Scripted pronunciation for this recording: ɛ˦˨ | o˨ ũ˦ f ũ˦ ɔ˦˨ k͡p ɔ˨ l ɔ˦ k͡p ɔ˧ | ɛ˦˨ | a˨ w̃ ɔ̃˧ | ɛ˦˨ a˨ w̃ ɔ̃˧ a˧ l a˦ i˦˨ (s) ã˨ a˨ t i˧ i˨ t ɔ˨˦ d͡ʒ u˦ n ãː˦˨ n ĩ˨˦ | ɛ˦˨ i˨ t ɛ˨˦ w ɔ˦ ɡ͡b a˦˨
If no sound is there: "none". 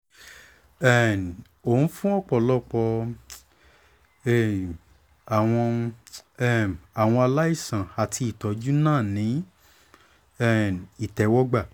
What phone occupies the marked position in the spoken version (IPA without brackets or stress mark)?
s